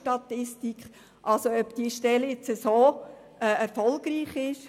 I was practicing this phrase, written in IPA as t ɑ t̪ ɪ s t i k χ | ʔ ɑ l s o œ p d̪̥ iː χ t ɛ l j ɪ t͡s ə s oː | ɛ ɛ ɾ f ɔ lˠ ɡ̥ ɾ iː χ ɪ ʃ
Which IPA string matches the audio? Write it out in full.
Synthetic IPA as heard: t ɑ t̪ ɪ s t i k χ | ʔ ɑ l s o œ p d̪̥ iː ʃ t ɛ l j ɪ t͡s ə s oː | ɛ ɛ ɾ f ɔ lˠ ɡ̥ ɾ iː χ ɪ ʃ